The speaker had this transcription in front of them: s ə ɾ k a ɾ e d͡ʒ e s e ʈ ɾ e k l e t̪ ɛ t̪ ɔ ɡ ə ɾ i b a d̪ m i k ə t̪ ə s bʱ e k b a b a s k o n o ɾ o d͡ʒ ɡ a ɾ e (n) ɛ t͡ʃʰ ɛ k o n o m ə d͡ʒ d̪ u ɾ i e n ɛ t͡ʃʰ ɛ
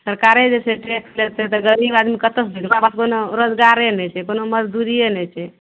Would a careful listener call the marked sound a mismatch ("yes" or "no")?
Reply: no